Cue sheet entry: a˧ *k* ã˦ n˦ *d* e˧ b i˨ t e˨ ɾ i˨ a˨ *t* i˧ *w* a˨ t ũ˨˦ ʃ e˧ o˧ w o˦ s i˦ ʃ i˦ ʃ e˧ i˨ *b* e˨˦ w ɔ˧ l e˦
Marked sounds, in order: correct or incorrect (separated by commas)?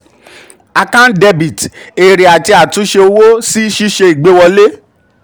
correct, correct, correct, incorrect, incorrect